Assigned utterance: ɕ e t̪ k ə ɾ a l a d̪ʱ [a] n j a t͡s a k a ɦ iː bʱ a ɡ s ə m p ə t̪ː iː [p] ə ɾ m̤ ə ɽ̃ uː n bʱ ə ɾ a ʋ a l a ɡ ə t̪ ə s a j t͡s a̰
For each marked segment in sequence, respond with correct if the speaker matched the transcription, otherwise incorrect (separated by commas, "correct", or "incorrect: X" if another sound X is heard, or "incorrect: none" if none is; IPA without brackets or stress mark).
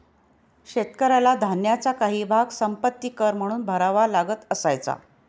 correct, incorrect: k